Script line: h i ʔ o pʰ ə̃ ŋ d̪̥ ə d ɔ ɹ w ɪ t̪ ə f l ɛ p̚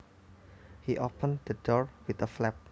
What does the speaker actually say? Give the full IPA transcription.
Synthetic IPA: h i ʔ o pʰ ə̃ n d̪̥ ə d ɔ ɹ w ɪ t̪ ə f l ɛ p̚